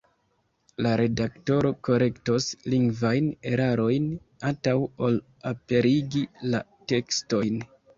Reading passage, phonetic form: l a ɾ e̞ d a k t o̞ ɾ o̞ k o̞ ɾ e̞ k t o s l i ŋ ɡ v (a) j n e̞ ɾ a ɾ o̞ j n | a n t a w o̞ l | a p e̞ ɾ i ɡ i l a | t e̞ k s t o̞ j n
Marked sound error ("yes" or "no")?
no